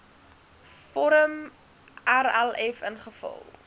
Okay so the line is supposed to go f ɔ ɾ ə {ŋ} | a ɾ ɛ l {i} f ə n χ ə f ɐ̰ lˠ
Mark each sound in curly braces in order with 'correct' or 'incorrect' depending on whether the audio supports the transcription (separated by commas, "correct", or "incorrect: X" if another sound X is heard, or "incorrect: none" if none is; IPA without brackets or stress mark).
incorrect: m, incorrect: ɛ